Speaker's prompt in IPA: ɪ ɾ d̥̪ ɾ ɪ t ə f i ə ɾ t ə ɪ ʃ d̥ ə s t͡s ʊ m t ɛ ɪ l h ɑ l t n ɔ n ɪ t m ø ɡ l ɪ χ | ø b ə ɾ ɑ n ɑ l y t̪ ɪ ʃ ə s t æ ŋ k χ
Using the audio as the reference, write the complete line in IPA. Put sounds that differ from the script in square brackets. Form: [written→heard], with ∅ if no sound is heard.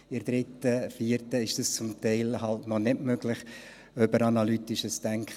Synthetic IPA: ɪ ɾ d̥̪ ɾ ɪ t ə f i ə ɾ t ə ɪ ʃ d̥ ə s t͡s ʊ m t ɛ ɪ l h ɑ l t n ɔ n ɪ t m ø ɡ l ɪ χ | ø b ə ɾ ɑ n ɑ l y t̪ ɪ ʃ ə s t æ ŋ k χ